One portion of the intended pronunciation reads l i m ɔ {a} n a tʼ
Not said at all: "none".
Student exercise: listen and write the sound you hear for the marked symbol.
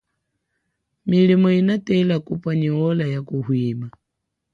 i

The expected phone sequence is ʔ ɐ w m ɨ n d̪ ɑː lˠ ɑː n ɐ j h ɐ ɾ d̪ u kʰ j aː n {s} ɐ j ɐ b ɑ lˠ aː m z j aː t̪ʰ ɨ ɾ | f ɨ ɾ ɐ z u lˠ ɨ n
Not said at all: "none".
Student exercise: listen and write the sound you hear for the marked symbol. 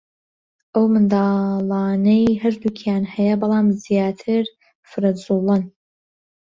h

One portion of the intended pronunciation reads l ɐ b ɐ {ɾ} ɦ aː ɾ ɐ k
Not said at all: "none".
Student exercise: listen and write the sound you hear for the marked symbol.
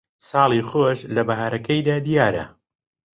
none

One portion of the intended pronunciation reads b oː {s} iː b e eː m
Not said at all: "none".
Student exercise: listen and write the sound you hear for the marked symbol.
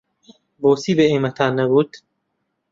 s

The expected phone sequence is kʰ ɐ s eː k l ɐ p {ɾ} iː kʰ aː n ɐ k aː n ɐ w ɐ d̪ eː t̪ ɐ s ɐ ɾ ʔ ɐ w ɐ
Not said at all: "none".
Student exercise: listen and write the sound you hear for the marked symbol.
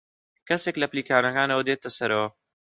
l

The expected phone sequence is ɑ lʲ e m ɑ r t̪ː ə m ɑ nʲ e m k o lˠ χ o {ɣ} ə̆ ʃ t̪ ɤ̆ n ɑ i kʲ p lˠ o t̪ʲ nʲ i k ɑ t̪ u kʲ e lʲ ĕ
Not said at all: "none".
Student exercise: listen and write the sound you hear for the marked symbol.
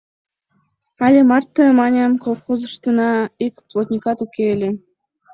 z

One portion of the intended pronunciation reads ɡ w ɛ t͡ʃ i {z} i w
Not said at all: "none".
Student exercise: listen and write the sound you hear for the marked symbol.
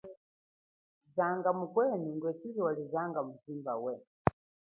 z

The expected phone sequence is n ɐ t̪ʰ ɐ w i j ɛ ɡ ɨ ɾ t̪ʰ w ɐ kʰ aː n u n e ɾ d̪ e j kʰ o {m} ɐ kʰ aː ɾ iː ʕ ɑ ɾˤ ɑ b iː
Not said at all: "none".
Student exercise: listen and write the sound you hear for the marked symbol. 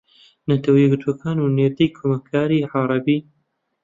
m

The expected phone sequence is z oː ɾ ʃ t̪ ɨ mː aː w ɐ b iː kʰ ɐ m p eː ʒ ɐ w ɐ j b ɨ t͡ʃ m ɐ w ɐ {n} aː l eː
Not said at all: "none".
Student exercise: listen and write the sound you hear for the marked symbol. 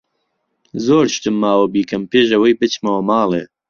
m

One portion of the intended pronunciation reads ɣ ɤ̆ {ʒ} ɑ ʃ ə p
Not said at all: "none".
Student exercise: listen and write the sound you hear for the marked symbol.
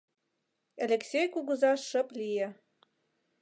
z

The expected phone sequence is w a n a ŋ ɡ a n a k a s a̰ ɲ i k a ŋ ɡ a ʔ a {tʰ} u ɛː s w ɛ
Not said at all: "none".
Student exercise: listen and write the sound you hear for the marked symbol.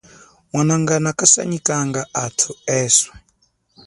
tʰ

